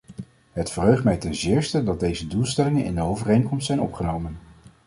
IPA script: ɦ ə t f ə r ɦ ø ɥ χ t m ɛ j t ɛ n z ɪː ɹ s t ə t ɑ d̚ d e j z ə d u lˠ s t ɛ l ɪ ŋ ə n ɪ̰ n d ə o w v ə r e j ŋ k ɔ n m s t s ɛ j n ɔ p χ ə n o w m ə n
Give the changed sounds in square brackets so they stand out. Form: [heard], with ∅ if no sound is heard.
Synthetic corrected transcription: ɦ ə t f ə r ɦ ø ɥ χ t m ɛ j t ɛ n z ɪː ɹ s t ə [d] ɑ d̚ d e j z ə d u lˠ s t ɛ l ɪ ŋ ə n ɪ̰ n d ə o w v ə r e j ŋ k ɔ [∅] m s t s ɛ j n ɔ p χ ə n o w m ə n